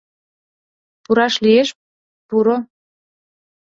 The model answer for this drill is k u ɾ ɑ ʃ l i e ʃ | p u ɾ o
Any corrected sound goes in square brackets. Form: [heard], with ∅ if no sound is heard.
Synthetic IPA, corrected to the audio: [p] u ɾ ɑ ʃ l i e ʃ | p u ɾ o

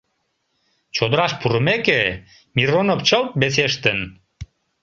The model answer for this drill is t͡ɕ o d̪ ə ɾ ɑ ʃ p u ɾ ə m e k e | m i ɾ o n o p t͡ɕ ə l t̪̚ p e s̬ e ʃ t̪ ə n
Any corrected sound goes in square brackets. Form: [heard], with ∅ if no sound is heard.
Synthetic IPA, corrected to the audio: t͡ɕ o d̪ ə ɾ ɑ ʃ p u ɾ ə m e k e | m i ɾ o n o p t͡ɕ ə l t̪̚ [b] e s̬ e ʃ t̪ ə n

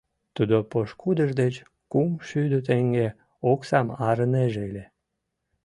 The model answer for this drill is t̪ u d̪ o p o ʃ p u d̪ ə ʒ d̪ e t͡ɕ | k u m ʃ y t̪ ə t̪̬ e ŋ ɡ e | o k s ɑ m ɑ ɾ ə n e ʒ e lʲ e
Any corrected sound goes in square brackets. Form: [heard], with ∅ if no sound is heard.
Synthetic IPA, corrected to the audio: t̪ u d̪ o p o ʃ [k] u d̪ ə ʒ d̪ e t͡ɕ | k u m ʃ y [d̪] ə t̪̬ e ŋ ɡ e | o k s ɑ m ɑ ɾ ə n e ʒ e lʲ e

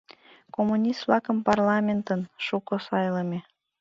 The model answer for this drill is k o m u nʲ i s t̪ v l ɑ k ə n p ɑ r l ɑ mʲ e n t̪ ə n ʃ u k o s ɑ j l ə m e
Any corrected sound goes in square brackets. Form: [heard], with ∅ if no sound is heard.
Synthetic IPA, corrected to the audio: k o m u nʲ i s t̪ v l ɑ k ə [m] p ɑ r l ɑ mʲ e n t̪ ə n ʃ u k o s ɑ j l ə m e

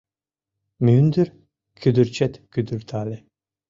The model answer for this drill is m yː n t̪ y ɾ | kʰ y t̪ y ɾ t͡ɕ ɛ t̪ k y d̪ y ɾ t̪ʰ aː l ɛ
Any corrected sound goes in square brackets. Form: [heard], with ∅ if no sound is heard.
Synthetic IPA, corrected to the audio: m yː n [d̪] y ɾ | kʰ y [d̪] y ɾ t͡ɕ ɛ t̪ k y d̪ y ɾ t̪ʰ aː l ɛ

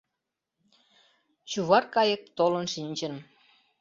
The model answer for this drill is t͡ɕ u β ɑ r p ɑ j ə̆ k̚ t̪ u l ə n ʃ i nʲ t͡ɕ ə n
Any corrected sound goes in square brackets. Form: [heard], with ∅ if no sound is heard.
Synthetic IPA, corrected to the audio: t͡ɕ u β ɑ r [k] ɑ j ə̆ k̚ t̪ [o] l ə n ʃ i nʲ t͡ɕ ə n

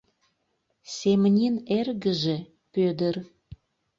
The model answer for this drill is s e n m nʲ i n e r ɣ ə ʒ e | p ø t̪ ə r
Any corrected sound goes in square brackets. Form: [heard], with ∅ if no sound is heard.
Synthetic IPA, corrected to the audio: s e [∅] m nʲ i n e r ɣ ə ʒ e | p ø [d̪] ə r

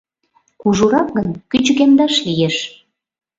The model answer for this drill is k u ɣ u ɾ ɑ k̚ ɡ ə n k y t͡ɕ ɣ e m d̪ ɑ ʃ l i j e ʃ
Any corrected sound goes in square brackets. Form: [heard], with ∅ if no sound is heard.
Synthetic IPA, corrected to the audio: k u [ʒ] u ɾ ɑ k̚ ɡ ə n k y t͡ɕ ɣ e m d̪ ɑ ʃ l i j e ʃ

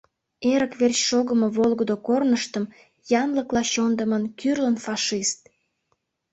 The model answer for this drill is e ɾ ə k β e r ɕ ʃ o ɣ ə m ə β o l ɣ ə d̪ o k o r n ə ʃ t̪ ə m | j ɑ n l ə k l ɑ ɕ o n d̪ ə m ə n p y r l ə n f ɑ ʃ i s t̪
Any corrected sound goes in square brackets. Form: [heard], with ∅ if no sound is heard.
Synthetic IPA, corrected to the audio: e ɾ ə k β e r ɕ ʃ o ɣ ə m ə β o l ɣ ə d̪ o k o r n ə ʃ t̪ ə m | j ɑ n l ə k l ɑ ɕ o n d̪ ə m ə n [k] y r l ə n f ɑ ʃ i s t̪

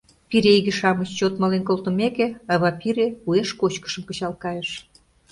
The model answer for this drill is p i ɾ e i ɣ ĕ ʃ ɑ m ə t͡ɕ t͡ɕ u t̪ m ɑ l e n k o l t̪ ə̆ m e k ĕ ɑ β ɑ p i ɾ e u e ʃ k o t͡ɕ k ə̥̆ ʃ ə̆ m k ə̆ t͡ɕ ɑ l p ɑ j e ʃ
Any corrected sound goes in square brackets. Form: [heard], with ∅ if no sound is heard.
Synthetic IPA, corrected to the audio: p i ɾ e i ɣ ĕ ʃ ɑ m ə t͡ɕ t͡ɕ [o] t̪ m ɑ l e n k o l t̪ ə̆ m e k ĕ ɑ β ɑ p i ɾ e u e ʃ k o t͡ɕ k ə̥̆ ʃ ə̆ m k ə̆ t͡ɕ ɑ l [k] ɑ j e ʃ

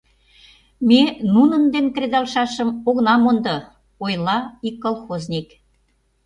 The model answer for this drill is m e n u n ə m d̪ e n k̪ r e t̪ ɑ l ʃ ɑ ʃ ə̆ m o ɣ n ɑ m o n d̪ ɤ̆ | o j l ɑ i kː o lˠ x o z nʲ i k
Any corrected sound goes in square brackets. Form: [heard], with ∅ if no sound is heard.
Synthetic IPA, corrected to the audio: m e n u n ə [n] d̪ e n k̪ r e [d̪] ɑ l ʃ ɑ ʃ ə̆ m o ɣ n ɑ m o n d̪ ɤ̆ | o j l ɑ i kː o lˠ x o z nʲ i k

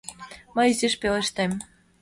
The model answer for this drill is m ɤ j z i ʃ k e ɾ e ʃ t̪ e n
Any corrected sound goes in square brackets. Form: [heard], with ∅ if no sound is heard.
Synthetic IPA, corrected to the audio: m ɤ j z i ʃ [p] e [l] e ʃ t̪ e [m]

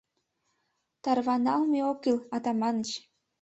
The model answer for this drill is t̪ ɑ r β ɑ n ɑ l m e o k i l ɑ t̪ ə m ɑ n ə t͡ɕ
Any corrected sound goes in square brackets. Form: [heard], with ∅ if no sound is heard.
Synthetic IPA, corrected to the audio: t̪ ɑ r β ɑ n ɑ l m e o k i l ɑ t̪ [ɑ] m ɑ n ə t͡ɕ

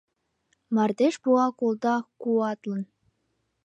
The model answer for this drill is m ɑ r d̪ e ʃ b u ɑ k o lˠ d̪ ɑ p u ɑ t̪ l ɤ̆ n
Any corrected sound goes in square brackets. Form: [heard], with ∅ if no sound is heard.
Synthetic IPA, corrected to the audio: m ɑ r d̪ e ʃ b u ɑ k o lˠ d̪ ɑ [k] u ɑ t̪ l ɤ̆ n

